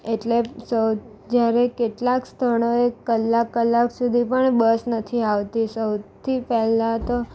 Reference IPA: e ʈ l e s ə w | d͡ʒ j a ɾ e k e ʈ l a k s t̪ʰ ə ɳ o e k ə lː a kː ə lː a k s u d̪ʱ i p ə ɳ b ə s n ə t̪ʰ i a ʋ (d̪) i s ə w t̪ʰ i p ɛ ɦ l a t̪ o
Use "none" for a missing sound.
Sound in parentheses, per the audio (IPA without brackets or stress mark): t̪